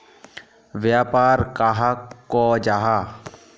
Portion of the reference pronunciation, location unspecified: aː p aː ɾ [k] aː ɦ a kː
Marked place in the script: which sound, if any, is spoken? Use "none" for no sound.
k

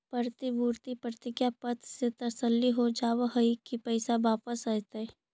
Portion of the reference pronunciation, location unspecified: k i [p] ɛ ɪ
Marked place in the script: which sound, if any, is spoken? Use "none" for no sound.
p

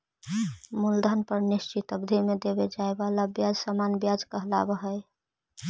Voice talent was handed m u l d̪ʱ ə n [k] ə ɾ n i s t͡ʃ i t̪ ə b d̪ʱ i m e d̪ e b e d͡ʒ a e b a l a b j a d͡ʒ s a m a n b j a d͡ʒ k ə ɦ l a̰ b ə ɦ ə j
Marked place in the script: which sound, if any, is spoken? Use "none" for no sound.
p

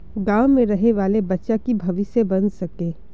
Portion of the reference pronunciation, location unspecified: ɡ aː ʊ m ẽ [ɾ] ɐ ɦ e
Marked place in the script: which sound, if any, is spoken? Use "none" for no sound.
ɾ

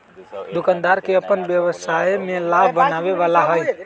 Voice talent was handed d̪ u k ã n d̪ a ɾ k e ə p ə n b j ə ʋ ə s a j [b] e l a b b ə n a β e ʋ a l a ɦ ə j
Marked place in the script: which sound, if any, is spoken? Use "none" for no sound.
m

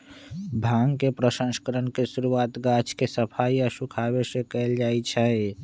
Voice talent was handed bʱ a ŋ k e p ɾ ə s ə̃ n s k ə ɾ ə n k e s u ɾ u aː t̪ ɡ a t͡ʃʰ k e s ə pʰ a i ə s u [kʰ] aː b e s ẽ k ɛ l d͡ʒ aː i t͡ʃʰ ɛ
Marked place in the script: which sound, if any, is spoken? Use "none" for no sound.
kʰ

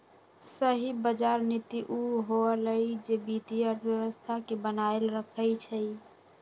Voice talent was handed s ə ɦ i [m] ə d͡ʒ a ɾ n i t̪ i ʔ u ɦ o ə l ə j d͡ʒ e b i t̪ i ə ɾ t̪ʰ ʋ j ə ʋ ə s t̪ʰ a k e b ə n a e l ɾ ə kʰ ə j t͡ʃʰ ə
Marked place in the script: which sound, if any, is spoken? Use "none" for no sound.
b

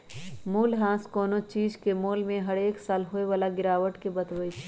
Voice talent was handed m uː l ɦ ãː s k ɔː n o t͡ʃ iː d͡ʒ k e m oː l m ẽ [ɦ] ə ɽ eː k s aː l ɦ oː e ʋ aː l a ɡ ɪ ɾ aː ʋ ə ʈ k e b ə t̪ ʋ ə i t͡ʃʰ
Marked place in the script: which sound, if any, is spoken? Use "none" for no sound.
ɦ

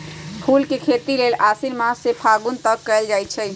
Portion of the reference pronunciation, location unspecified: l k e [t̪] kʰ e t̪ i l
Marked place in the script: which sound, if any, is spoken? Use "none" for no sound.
none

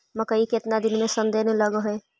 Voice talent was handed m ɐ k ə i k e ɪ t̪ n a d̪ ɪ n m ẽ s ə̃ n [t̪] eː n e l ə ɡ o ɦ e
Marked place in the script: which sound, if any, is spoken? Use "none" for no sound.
d̪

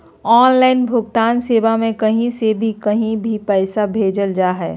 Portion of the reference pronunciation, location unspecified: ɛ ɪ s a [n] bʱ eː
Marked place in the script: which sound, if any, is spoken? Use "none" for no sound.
none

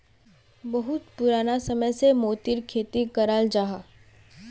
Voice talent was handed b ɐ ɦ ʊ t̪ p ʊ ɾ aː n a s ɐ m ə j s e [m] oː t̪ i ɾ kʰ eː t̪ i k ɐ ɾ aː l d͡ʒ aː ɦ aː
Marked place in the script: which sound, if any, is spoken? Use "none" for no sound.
m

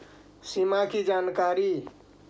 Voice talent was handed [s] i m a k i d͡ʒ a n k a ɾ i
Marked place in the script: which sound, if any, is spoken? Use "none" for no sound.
s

